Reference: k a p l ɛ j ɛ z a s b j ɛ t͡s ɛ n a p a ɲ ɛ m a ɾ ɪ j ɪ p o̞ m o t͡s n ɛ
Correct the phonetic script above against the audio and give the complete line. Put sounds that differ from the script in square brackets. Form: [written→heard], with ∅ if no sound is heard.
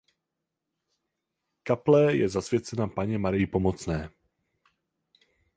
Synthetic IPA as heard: k a p l ɛ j ɛ z a s [b→v] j ɛ t͡s ɛ n a p a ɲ ɛ m a ɾ ɪ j ɪ p o̞ m o t͡s n [ɛ→ɛː]